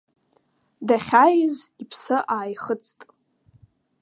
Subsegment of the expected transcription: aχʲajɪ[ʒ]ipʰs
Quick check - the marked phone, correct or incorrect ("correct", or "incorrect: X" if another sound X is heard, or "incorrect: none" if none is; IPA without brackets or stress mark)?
incorrect: z